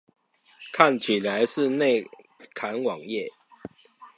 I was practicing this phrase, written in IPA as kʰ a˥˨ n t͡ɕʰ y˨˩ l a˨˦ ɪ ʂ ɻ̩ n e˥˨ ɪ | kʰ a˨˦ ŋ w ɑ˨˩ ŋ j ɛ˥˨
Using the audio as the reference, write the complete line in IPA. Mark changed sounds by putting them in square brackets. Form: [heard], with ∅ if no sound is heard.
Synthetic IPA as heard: kʰ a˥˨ n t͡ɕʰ [i˨˩] l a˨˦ ɪ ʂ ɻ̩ n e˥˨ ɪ | kʰ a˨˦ [n] w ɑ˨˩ ŋ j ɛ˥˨